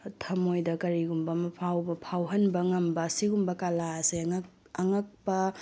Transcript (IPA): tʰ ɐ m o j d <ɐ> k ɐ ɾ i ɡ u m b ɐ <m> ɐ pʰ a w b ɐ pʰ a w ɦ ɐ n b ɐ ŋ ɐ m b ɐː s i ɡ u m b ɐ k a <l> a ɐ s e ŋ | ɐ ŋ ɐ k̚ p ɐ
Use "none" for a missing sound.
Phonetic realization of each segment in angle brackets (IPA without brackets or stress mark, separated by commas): ɐ, m, l